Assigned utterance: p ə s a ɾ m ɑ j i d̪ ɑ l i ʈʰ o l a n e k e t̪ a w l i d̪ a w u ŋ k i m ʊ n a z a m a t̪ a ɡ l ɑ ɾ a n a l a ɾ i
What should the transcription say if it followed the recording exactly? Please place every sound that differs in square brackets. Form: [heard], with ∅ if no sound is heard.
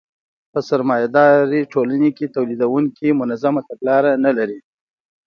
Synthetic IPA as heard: p ə s a ɾ m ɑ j [a] d̪ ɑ [ɾ] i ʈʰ o l a n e k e t̪ a w l i d̪ a w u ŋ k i m ʊ n a z a m a t̪ a ɡ l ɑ ɾ a n a l a ɾ i